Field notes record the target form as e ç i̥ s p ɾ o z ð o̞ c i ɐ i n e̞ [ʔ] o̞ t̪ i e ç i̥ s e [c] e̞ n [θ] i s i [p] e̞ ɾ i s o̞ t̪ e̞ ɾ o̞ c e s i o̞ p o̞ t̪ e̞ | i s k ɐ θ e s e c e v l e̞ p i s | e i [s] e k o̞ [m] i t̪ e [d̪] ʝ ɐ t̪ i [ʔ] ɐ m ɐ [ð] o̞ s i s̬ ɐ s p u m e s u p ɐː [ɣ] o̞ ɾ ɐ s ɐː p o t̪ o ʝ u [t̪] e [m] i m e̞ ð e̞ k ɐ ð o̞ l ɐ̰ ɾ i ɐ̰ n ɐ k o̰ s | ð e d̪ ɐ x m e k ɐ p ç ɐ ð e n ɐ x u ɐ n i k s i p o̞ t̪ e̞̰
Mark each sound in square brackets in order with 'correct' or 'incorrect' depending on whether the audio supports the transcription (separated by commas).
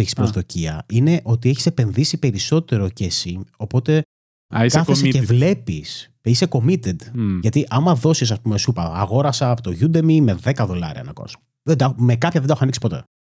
correct, incorrect, incorrect, correct, correct, correct, correct, correct, correct, correct, incorrect, correct